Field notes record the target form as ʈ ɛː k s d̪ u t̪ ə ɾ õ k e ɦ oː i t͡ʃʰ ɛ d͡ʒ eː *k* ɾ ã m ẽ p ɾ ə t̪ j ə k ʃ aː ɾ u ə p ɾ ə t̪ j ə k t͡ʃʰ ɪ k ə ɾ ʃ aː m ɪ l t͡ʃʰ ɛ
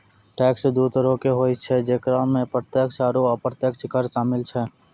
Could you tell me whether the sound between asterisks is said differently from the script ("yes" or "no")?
no